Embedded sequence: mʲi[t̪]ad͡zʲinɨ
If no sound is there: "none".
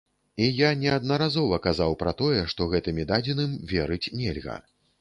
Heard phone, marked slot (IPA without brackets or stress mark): d̪